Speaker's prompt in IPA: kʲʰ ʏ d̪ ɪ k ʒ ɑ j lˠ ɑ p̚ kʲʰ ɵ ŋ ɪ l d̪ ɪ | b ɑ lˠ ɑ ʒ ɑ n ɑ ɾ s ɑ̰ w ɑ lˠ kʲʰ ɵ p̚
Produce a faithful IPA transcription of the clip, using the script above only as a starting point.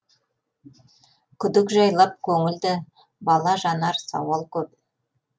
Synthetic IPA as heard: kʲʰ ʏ d̪ ɪ k ʒ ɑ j lˠ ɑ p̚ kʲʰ ɵ ŋ ɪ l d̪ ɪ | b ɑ lˠ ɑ ʒ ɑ n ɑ ɾ s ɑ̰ w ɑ lˠ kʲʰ ɵ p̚